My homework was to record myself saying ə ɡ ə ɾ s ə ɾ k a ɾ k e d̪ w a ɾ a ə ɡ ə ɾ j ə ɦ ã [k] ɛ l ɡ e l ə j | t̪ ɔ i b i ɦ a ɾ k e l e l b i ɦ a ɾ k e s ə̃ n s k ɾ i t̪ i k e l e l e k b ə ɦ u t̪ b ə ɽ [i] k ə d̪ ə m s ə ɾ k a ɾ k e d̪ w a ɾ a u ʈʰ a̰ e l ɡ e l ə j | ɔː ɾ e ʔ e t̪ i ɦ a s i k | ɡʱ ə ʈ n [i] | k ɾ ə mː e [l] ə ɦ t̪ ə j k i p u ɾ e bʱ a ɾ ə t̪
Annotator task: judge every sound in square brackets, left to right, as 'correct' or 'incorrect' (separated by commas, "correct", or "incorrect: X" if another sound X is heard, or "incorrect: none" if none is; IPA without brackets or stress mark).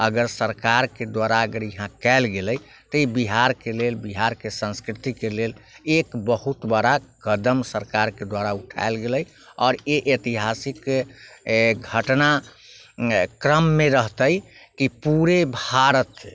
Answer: correct, incorrect: a, incorrect: a, incorrect: ɾ